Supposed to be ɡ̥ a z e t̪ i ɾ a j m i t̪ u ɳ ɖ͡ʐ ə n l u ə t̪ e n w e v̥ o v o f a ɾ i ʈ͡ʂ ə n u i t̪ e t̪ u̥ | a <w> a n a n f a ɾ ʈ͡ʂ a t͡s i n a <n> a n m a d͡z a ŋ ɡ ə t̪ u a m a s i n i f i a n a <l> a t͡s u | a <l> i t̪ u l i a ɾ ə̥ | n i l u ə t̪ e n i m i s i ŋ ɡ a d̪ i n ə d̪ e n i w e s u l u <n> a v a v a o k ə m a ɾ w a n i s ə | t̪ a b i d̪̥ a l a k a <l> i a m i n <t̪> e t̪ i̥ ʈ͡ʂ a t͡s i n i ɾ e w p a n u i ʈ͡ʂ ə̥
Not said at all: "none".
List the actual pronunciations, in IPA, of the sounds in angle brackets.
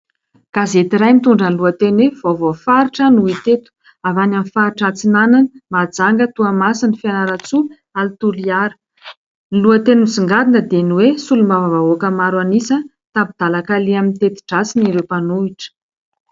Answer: v, n, ɾ, l, m, l, t̪

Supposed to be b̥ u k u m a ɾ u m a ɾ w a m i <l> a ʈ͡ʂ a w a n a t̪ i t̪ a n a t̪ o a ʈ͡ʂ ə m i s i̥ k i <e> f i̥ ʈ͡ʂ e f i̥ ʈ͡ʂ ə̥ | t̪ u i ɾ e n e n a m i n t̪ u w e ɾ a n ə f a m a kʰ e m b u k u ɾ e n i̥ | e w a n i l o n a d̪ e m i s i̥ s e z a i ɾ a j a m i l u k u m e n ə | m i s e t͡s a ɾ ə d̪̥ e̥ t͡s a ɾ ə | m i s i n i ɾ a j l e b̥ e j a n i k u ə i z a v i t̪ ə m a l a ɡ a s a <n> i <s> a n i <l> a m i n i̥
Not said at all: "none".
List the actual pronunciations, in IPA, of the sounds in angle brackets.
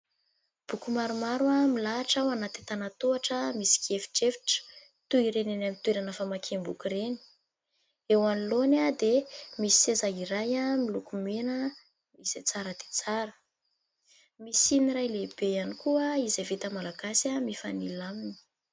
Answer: l, e, m, f, l

